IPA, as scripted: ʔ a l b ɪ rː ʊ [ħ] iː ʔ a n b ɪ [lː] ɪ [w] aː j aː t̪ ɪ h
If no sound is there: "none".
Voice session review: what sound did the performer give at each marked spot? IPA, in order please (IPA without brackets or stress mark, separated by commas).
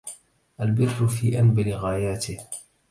f, l, ɣ